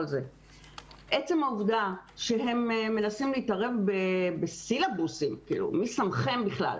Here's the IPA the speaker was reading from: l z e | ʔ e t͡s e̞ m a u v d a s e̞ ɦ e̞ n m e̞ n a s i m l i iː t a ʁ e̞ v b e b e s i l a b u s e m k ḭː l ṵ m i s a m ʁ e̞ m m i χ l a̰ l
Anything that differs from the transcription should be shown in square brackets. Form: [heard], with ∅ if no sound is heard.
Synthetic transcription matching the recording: l z e | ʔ e t͡s e̞ m a u v d a [ʃ] e̞ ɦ e̞ [m] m e̞ n a s i m l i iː t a ʁ e̞ v b e b e s i l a b u s [i] m k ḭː l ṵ m i s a m [χ] e̞ m [b] i χ l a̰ l